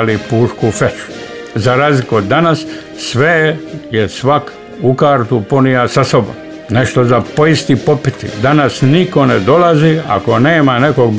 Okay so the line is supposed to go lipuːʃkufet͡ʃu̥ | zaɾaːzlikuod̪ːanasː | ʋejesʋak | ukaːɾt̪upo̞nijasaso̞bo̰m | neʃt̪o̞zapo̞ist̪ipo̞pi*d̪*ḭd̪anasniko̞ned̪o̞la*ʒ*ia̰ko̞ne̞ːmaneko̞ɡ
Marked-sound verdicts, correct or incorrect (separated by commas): incorrect, incorrect